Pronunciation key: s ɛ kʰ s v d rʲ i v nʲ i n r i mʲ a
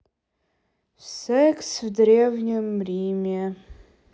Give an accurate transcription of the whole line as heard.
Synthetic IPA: s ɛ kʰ s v d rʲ e v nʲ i m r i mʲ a